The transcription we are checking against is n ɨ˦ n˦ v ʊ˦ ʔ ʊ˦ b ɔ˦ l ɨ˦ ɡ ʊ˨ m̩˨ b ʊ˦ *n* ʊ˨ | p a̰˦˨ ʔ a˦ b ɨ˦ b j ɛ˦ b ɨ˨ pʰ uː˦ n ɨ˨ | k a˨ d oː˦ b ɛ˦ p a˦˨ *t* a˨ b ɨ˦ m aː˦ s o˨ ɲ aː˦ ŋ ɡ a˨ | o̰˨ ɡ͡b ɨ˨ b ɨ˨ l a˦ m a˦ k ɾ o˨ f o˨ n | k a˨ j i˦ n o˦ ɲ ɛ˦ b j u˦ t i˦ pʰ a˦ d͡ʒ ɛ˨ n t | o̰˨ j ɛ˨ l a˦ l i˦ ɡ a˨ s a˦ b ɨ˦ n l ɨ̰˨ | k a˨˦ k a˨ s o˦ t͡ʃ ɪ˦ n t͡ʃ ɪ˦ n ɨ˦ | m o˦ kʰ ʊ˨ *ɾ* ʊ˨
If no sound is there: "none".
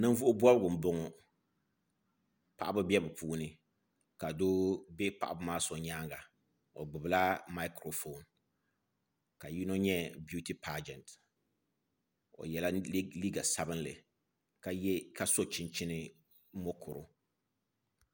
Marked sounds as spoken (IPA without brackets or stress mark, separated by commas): ŋ, ʔ, ɾ